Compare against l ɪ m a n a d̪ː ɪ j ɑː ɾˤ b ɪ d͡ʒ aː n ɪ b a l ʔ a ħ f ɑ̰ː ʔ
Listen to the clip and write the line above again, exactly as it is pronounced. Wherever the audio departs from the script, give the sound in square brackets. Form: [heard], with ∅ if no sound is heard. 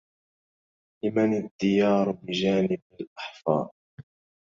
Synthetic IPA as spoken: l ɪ m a n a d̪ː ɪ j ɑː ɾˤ b ɪ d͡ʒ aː n ɪ b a l ʔ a ħ f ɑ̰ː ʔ